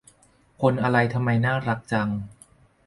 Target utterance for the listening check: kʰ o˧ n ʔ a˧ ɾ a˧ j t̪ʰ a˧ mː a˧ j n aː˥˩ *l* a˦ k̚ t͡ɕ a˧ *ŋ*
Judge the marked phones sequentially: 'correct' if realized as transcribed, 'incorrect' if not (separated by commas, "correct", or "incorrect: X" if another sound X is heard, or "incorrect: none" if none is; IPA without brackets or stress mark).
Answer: incorrect: ɾ, correct